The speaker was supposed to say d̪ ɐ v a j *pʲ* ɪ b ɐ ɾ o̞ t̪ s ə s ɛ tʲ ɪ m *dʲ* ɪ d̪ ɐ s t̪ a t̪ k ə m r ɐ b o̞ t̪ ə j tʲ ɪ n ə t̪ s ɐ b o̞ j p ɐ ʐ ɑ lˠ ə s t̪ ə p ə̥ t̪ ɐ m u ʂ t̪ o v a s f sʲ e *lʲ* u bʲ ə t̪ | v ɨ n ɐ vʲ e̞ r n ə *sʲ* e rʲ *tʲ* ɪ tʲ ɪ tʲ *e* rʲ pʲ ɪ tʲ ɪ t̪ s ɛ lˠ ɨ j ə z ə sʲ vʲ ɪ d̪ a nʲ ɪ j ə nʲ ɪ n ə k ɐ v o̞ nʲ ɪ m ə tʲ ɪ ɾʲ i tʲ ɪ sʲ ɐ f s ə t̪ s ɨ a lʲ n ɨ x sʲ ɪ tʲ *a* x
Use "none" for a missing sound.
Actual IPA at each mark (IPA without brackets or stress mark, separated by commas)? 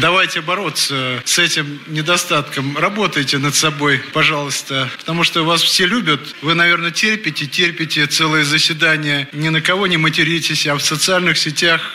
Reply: tʲ, nʲ, lʲ, tʲ, pʲ, e, a